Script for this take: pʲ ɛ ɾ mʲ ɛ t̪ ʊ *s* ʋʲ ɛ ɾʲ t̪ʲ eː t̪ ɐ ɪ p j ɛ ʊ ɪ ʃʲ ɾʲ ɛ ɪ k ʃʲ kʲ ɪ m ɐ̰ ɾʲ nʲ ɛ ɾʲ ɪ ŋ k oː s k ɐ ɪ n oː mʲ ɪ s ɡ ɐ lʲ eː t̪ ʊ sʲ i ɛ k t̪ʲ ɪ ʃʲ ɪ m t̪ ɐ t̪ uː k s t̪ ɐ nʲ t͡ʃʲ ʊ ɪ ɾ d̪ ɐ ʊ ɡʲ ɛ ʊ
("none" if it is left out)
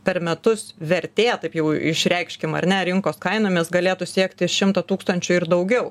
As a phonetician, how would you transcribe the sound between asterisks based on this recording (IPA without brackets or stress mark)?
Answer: s